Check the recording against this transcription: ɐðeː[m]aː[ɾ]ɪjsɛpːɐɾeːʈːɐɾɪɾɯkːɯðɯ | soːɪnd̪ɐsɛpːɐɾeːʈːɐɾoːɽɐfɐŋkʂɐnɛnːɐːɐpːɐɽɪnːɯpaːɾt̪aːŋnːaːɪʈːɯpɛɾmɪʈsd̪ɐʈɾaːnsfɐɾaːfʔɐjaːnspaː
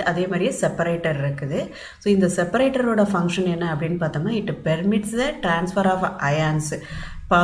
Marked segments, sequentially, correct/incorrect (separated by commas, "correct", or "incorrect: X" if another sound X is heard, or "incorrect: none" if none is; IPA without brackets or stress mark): correct, correct